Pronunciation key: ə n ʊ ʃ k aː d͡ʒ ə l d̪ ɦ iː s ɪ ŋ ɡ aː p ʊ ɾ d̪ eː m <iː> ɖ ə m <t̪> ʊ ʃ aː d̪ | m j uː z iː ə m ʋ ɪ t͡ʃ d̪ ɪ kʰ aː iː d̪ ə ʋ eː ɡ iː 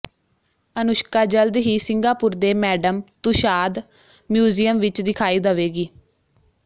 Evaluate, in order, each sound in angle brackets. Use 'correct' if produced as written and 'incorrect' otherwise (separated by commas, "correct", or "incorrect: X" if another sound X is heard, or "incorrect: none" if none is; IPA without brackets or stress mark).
incorrect: ɛː, correct